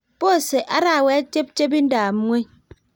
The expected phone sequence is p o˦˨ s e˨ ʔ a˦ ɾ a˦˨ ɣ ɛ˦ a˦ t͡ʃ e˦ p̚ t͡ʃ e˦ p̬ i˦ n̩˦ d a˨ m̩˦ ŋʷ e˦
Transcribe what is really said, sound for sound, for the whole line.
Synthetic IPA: p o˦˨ s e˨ ʔ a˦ ɾ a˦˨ w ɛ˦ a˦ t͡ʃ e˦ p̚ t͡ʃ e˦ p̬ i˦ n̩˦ d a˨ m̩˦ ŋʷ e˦